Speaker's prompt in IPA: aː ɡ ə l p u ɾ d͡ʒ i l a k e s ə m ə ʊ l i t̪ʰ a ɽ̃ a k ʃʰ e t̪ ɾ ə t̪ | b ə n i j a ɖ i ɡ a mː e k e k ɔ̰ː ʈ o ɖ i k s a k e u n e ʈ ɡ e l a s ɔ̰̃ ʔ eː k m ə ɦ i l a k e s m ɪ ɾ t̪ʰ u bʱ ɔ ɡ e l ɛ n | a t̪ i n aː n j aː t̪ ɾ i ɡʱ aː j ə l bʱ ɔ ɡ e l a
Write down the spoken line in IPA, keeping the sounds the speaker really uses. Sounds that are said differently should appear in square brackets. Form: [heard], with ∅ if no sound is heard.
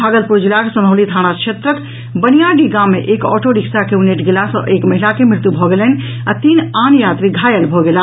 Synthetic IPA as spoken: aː ɡ ə l p u ɾ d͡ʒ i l a k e s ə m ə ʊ l i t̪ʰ a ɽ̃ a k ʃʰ e t̪ ɾ ə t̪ | b ə n i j a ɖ i ɡ a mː e [ʔ] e k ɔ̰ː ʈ o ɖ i k s a k e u n e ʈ ɡ e l a s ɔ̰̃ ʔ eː k m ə ɦ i l a k e [∅] m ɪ ɾ [t̪] u bʱ ɔ ɡ e l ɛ n | a t̪ i n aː n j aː t̪ ɾ i ɡʱ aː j ə l bʱ ɔ ɡ e l a